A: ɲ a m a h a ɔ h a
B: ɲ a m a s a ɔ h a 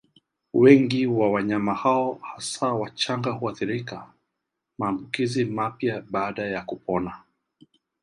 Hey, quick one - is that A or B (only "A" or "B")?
A